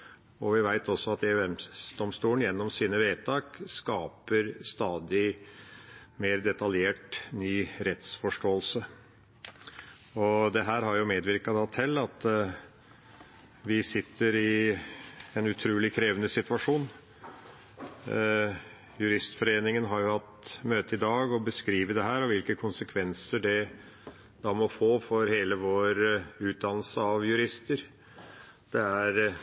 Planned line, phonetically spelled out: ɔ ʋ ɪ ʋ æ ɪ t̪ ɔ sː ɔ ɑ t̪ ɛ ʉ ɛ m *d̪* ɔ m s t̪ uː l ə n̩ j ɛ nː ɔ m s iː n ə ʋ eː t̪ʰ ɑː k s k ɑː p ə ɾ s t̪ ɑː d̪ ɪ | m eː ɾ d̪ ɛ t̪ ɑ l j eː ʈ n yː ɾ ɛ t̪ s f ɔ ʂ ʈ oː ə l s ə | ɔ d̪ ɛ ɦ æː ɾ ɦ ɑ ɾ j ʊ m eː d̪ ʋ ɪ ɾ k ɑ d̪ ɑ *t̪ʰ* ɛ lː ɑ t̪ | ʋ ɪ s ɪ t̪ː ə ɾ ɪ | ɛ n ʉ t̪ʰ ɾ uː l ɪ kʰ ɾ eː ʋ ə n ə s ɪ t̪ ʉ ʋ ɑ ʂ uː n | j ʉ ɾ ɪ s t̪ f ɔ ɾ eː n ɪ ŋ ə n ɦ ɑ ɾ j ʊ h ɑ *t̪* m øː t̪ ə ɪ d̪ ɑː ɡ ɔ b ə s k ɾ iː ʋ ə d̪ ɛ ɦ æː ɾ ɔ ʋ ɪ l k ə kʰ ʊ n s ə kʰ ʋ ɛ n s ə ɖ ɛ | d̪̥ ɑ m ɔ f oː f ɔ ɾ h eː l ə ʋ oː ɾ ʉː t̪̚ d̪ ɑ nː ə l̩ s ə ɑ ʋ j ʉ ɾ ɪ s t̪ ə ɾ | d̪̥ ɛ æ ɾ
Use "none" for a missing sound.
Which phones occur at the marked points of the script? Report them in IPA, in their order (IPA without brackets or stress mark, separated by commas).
d̪, t̪ʰ, t̪